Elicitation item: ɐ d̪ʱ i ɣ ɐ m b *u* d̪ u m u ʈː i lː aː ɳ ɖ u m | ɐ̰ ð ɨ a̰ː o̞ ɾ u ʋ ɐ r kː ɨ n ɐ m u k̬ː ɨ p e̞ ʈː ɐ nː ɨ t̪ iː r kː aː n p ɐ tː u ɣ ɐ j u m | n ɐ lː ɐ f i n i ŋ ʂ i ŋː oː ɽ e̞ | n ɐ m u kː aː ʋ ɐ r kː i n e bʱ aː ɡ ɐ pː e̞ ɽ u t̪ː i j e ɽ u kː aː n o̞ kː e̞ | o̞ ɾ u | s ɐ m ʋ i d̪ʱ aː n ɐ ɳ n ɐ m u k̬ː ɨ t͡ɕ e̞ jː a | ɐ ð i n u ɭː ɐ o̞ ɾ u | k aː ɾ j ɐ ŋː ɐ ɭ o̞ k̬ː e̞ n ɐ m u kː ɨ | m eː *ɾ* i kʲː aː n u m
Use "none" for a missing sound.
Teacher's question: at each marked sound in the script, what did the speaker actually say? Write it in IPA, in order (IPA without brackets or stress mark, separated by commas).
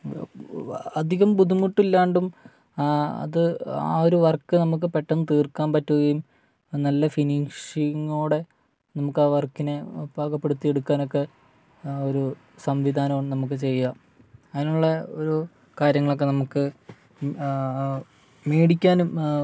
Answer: u, ɽ